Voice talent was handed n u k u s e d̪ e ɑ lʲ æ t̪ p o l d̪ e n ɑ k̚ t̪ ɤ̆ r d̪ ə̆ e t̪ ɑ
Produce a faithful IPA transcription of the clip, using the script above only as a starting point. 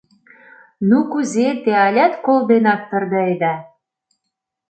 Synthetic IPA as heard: n u k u z e t̪ e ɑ lʲ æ t̪ k o l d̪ e n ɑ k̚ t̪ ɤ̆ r d̪ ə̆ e d̪ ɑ